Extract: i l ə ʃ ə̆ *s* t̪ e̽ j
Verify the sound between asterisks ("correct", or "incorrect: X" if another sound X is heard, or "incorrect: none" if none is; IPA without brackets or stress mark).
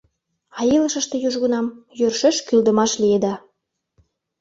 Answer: incorrect: ʃ